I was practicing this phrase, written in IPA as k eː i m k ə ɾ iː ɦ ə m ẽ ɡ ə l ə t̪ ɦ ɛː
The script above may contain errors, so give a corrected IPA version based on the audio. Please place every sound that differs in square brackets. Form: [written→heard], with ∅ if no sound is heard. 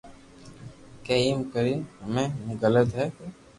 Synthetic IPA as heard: k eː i m k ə ɾ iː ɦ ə m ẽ ɡ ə l ə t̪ ɦ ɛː